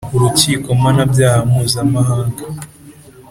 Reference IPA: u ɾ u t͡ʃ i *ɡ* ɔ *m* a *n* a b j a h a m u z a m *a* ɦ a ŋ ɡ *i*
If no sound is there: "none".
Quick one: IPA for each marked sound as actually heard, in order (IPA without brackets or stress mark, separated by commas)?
k, m, n, a, a